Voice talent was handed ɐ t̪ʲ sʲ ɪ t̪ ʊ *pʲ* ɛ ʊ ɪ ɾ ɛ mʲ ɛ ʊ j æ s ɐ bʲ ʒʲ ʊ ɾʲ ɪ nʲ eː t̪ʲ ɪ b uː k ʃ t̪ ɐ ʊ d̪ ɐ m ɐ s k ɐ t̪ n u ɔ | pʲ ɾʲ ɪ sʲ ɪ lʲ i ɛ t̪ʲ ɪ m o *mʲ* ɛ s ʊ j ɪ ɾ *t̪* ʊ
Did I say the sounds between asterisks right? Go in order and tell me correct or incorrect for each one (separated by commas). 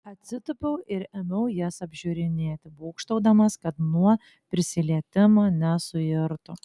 correct, incorrect, correct